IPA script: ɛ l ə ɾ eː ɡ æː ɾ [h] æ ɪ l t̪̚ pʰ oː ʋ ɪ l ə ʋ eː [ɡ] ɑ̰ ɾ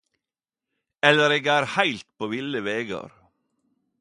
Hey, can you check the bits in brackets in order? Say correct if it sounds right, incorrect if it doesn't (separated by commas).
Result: correct, correct